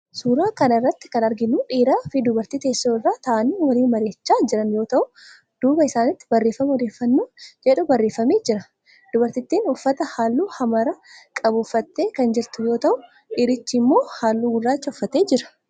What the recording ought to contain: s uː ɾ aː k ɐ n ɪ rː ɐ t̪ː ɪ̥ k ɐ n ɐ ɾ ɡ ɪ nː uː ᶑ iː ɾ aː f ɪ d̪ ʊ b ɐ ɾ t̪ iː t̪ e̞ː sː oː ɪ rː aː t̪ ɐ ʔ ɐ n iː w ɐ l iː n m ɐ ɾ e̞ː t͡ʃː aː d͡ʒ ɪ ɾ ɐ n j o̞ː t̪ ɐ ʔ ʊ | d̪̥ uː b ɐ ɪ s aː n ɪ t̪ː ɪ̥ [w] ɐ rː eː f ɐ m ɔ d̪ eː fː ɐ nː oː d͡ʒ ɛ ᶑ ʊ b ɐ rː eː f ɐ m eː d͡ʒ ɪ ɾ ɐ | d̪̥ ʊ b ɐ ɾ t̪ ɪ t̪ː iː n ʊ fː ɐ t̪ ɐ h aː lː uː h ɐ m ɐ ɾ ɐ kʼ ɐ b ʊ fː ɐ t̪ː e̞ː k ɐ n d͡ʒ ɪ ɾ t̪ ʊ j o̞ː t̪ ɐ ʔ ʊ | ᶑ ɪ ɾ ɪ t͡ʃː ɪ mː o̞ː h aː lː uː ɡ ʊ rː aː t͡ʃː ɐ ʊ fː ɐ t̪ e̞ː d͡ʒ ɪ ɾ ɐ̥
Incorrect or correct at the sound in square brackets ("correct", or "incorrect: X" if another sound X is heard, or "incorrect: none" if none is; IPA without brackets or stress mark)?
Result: incorrect: b